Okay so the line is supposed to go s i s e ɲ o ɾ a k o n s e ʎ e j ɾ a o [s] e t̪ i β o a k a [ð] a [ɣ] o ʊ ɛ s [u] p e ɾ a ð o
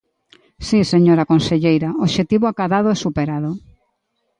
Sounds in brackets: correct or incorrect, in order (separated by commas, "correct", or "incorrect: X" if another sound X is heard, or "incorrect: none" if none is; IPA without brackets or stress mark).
incorrect: ʃ, correct, incorrect: ð, correct